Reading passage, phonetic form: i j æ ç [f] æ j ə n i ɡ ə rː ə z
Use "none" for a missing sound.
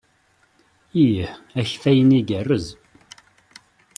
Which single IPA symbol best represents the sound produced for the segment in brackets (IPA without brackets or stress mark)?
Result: f